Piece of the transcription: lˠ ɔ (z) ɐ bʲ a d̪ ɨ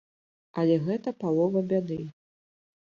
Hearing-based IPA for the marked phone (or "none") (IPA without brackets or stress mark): v